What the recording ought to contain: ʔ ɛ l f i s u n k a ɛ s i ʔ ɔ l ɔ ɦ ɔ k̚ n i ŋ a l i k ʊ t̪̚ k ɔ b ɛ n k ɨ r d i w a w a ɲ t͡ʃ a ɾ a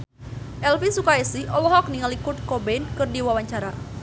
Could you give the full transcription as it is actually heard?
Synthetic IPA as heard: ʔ ɛ l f i s u k a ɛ s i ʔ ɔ l ɔ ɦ ɔ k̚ n i ŋ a l i k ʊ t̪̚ k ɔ b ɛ n k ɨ r d i w a w a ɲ t͡ʃ a ɾ a